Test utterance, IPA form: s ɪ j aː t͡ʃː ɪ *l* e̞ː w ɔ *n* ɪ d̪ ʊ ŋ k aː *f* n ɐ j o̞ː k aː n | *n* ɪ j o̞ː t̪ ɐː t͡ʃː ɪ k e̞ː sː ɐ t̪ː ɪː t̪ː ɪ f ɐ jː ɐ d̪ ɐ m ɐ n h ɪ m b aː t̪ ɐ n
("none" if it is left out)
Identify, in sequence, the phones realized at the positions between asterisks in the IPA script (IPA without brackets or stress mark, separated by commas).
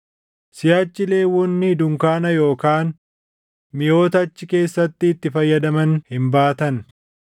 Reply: l, nː, none, m